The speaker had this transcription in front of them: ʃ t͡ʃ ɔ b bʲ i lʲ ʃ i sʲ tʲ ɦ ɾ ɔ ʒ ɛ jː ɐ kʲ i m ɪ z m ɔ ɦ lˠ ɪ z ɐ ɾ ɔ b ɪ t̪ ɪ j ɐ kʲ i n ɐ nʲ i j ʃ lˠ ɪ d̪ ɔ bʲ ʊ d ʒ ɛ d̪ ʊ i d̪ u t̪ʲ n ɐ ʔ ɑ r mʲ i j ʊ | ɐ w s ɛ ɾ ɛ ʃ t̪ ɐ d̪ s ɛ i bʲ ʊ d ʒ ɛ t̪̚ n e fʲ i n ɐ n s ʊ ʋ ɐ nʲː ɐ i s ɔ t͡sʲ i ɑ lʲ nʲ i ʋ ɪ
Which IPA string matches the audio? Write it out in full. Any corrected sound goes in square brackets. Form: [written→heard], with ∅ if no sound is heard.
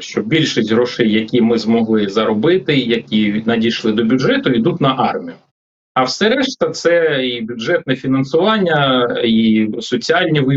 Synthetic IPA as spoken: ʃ t͡ʃ ɔ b bʲ i lʲ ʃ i sʲ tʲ ɦ ɾ ɔ [ʒ→ʃ] ɛ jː ɐ kʲ i m ɪ z m ɔ ɦ lˠ ɪ z ɐ ɾ ɔ b ɪ t̪ ɪ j ɐ kʲ i n ɐ [nʲ→dʲ] i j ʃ lˠ ɪ d̪ ɔ bʲ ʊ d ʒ ɛ [d̪→t̪] ʊ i d̪ u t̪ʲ n ɐ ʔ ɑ r mʲ i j ʊ | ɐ w s ɛ ɾ ɛ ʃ t̪ ɐ [d̪→t̪] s ɛ i bʲ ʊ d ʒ ɛ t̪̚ n [e→ɛ] fʲ i n ɐ n s ʊ ʋ [ɐ→ɑ] nʲː ɐ i s ɔ t͡sʲ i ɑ lʲ nʲ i ʋ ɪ